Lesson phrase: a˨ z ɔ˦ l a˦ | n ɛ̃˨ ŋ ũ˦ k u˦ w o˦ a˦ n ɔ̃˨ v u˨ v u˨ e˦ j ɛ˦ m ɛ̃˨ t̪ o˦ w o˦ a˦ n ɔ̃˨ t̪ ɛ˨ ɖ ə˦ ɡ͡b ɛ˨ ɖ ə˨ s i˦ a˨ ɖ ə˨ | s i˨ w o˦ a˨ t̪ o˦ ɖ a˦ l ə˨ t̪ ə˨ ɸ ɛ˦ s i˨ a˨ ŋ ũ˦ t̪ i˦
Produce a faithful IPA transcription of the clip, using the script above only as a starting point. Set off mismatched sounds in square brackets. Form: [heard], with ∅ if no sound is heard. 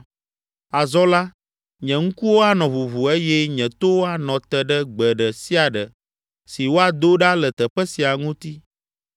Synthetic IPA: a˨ z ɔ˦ l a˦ | [ɲ] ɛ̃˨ ŋ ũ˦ k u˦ w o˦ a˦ n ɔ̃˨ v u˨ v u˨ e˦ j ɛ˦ [ɲ] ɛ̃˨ t̪ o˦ w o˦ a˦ n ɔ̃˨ t̪ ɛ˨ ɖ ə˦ ɡ͡b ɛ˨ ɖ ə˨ s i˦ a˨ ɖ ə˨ | s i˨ w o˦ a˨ [d̪] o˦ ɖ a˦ l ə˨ t̪ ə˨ ɸ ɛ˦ s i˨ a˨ ŋ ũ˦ t̪ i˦